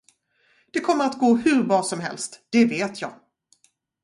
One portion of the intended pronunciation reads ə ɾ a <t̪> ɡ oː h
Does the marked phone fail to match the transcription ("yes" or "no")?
no